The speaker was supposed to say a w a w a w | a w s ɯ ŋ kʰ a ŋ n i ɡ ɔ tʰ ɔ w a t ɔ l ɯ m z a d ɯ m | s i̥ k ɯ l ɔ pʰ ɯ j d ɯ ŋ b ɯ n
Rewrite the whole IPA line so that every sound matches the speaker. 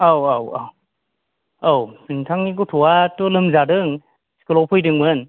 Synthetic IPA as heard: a w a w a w | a w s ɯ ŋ tʰ a ŋ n i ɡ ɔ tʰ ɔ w a t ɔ l ɯ m z a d ɯ ŋ | s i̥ k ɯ l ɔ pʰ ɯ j d ɯ ŋ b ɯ n